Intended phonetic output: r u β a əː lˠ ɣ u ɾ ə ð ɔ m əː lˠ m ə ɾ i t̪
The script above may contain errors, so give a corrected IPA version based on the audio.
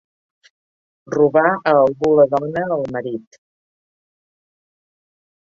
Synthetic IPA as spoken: r u β a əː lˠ ɣ u l ə ð ɔ n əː lˠ m ə ɾ i t̪